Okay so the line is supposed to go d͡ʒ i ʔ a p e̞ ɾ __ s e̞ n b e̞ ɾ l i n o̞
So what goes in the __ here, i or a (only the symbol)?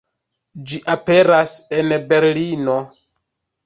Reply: a